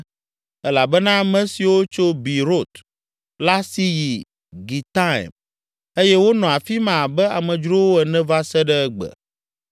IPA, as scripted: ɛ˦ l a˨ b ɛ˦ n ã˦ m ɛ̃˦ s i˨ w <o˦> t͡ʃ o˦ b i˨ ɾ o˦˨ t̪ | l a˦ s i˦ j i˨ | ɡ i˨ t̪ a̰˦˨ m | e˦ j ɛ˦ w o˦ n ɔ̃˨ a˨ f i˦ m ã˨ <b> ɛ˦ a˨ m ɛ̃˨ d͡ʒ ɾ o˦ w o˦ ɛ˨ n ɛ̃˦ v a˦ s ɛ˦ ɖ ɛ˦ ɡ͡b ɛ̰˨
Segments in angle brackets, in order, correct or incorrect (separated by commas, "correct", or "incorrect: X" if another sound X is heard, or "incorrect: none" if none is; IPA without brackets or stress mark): correct, correct